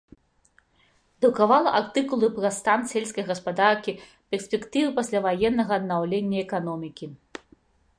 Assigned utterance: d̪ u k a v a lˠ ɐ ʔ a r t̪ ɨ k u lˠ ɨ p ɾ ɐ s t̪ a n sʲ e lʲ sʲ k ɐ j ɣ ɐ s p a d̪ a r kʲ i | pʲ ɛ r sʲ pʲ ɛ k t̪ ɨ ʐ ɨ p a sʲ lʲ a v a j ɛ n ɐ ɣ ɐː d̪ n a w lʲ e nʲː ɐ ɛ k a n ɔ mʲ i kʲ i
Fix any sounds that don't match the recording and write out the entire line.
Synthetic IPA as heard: d̪ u k a v a lˠ ɐ ʔ a r t̪ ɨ k u lˠ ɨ p ɾ ɐ s t̪ a n sʲ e lʲ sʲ k ɐ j ɣ ɐ s p a d̪ a r kʲ i | pʲ ɛ r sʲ pʲ ɛ k t̪ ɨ v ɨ p a sʲ lʲ a v a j ɛ nː ɐ ɣ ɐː d̪ n a w lʲ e nʲː ɐ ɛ k a n ɔ mʲ i kʲ i